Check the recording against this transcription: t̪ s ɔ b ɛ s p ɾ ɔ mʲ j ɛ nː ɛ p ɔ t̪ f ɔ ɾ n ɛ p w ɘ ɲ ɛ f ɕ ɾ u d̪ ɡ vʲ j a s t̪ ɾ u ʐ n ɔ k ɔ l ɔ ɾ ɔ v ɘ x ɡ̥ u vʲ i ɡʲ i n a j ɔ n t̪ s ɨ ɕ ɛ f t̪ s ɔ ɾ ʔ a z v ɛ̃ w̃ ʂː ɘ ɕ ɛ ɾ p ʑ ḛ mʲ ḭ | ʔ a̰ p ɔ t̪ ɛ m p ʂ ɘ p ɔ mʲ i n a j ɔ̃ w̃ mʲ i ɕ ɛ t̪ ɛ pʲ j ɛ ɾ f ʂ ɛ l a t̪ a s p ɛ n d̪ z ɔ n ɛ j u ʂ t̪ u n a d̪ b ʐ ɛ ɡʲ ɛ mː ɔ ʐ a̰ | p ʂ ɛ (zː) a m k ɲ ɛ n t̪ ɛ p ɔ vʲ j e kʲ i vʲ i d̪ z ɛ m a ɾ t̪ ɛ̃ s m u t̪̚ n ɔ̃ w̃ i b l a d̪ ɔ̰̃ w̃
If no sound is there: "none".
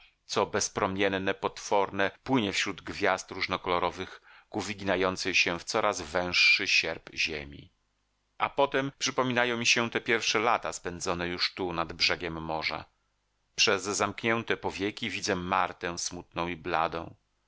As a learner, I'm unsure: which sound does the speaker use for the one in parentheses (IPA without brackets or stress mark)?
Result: zː